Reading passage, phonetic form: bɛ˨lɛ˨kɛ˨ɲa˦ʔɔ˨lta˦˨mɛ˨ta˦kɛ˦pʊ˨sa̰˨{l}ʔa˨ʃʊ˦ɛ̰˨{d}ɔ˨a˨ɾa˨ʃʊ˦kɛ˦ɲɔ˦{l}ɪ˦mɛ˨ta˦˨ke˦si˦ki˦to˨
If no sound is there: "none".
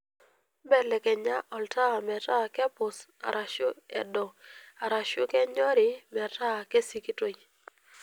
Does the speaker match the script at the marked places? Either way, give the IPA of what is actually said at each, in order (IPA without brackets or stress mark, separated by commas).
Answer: ɾ, d, ɾ